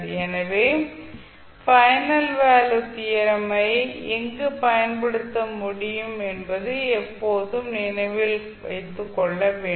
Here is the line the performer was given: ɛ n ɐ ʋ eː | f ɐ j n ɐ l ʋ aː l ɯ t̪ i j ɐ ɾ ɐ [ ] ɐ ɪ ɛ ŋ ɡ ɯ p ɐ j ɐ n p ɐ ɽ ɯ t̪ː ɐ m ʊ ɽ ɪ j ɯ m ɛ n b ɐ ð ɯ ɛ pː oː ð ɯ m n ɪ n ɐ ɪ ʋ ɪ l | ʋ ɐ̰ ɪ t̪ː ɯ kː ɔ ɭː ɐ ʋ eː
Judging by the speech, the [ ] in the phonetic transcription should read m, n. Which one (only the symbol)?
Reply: m